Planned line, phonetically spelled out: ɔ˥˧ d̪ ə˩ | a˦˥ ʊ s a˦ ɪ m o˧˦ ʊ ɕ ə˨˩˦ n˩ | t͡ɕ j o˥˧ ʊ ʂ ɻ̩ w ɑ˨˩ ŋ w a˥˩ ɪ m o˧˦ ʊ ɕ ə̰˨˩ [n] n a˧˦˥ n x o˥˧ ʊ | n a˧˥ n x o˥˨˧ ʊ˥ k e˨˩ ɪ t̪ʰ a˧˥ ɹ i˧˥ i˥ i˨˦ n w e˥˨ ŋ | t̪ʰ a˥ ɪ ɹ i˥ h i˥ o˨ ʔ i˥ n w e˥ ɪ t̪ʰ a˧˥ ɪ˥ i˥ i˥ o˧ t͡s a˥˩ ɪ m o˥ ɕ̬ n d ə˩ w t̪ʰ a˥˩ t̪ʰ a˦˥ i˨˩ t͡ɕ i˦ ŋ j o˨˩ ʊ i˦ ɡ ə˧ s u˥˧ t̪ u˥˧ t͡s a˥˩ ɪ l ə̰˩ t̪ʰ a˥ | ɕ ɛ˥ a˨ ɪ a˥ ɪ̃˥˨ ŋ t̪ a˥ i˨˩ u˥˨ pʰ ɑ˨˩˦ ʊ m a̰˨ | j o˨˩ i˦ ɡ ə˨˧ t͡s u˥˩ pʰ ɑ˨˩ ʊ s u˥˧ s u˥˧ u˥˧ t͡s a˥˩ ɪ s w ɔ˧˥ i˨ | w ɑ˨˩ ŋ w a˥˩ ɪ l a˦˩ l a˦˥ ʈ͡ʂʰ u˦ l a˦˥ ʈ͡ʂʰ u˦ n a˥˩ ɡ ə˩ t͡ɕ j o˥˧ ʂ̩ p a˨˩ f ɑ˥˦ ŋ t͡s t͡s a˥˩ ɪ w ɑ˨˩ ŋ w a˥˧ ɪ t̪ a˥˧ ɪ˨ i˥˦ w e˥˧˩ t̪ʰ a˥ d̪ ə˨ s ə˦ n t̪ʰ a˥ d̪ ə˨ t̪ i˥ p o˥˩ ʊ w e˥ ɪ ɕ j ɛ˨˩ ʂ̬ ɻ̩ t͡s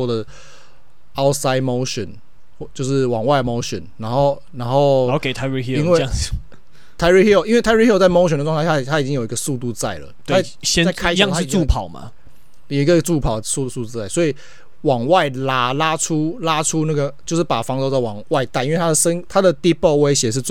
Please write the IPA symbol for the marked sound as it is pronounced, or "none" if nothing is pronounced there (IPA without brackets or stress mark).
n